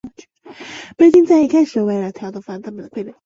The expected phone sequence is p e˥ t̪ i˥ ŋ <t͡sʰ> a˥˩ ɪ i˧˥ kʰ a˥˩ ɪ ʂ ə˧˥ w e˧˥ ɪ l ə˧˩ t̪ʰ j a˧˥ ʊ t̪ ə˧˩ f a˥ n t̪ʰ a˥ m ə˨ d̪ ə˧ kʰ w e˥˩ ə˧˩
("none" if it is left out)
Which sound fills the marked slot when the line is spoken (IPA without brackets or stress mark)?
t͡s